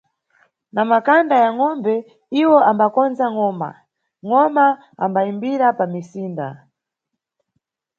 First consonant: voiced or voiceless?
voiced